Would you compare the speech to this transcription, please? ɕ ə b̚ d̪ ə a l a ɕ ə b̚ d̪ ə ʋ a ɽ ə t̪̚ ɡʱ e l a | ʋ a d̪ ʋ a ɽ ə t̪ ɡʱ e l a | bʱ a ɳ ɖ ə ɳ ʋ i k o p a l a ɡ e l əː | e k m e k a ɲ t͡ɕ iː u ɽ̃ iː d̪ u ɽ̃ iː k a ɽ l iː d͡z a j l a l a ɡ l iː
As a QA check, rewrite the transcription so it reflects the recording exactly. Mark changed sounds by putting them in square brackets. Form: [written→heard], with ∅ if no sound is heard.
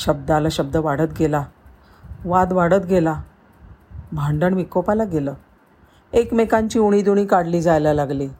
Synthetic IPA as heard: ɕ ə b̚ d̪ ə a l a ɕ ə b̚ d̪ ə ʋ a ɽ ə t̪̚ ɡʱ e l a | ʋ a d̪ ʋ a ɽ ə t̪ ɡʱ e l a | bʱ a ɳ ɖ ə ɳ ʋ i k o p a l a ɡ e l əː | e k m e k a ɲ t͡ɕ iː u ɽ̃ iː d̪ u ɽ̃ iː k a ɽ l iː d͡z a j l a l a ɡ l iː